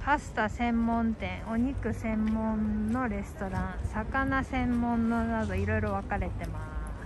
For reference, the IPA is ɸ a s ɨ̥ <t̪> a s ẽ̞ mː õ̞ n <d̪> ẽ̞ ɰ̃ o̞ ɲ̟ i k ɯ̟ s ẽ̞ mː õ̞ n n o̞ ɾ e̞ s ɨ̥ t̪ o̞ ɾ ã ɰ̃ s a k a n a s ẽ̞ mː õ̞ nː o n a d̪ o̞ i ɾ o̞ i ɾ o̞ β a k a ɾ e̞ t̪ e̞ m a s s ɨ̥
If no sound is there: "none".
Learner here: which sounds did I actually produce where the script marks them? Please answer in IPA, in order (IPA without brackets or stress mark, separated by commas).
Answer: t̪, t̪